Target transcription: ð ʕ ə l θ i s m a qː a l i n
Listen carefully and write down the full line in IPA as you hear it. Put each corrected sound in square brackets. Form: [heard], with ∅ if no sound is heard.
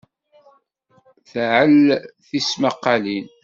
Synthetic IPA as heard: [θ] ʕ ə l θ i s m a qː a l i n